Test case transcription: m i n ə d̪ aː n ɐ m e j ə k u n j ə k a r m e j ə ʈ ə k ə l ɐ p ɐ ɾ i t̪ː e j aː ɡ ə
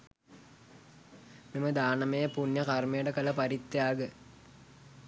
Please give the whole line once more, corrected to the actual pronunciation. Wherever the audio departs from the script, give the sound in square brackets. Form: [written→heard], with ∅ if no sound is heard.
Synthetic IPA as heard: m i [n→m] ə d̪ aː n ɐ m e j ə [k→p] u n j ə k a r m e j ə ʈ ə k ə l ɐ p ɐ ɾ i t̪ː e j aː ɡ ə